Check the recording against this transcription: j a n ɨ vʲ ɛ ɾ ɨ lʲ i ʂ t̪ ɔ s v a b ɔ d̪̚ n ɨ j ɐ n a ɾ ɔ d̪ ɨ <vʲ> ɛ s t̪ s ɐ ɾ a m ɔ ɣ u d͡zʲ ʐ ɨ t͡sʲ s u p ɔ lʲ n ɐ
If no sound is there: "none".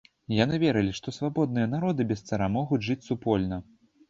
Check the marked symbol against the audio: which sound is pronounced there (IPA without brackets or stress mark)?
bʲ